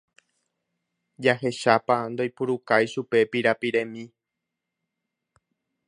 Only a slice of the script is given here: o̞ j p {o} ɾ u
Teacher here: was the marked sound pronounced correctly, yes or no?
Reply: no